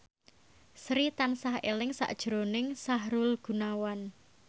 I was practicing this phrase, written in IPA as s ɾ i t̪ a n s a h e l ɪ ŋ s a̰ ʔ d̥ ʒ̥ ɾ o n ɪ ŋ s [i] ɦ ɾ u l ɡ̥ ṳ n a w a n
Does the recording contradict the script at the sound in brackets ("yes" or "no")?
yes